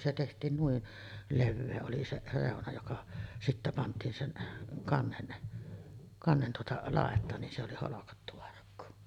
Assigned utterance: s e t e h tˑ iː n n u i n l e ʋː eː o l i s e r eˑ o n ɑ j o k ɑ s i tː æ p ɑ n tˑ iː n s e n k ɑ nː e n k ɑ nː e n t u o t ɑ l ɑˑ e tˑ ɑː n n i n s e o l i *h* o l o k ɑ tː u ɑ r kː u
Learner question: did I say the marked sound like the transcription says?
yes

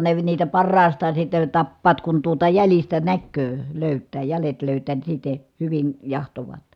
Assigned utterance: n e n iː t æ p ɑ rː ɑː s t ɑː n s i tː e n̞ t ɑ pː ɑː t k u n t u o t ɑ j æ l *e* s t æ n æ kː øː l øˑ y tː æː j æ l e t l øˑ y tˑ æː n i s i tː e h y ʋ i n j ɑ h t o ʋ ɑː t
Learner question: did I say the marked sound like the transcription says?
no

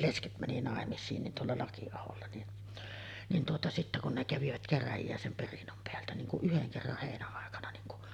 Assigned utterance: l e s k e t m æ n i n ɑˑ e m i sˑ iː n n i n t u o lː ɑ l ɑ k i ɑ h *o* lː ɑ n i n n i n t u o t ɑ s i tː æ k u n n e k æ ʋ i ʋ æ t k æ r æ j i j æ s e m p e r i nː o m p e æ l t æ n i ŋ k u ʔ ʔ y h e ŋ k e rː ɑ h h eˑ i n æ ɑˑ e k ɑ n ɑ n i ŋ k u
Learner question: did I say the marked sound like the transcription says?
yes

